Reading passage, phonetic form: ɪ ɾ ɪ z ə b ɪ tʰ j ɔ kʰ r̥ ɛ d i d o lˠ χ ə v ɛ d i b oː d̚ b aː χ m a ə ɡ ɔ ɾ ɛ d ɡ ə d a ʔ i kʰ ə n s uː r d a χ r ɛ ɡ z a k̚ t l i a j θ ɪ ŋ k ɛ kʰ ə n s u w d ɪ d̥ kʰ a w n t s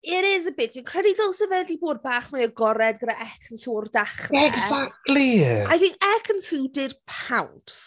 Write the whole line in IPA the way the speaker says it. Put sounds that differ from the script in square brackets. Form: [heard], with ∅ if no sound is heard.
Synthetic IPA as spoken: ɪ ɾ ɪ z ə b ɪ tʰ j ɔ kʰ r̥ ɛ d i d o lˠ [s] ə v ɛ d i b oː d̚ b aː χ m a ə ɡ ɔ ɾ ɛ d ɡ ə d a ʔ [ɛ] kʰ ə n s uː r d a χ r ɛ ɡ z a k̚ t l i a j θ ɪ ŋ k ɛ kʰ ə n s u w d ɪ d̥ [pʰ] a w n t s